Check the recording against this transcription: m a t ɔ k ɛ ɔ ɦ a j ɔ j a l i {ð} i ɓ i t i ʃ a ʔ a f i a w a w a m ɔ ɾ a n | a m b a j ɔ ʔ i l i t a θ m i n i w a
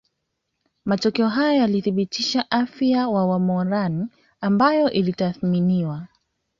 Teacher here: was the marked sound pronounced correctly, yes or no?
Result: no